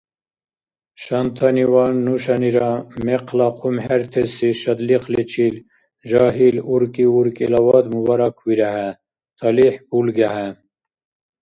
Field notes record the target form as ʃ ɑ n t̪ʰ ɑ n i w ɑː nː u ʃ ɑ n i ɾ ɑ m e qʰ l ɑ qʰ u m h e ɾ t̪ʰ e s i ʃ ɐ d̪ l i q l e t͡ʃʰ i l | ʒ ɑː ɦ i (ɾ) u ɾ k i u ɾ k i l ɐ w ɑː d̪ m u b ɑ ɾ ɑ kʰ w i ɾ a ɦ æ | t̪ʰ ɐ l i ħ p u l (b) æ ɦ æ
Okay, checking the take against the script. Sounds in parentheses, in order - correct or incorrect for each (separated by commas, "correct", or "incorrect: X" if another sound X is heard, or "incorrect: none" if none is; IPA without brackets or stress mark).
incorrect: l, incorrect: ɡ